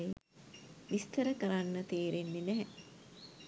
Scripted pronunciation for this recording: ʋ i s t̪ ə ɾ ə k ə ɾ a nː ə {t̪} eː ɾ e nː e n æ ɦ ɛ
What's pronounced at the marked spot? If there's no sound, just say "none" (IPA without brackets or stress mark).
t̪